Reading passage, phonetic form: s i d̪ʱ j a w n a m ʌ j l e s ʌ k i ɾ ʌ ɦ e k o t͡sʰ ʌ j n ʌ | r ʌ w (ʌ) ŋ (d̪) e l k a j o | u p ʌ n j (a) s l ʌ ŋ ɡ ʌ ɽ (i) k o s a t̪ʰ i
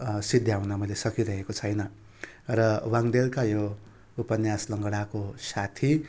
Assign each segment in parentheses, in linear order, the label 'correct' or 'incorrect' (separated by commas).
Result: incorrect, correct, correct, incorrect